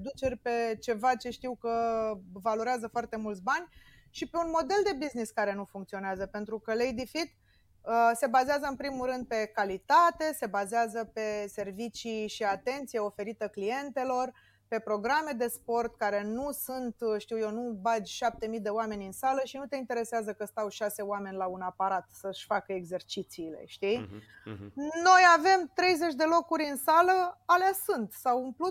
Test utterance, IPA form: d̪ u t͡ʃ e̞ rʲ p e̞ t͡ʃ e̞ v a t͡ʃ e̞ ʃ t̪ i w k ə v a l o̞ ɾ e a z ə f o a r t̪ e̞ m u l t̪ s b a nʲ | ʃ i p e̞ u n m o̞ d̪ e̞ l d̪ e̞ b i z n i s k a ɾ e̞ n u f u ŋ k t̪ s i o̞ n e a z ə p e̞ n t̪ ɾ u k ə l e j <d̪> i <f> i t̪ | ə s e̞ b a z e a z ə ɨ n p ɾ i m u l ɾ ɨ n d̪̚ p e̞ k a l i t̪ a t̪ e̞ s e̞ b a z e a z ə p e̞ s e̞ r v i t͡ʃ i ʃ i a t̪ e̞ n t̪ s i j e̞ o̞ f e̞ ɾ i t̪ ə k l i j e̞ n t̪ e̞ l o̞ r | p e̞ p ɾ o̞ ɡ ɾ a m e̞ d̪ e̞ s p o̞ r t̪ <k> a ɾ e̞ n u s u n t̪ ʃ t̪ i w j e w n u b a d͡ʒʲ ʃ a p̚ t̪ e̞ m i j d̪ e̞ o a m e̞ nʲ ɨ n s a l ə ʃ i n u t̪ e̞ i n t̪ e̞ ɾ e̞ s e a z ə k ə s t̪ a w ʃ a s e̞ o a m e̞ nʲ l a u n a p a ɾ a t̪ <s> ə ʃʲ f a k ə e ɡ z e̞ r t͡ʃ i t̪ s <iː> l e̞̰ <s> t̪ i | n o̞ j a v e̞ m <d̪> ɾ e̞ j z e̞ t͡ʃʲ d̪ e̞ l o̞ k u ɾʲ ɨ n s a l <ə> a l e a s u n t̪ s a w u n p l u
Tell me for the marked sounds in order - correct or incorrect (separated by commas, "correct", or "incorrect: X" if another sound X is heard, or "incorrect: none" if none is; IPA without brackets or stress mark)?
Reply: correct, correct, correct, correct, correct, incorrect: ʃ, incorrect: t̪, correct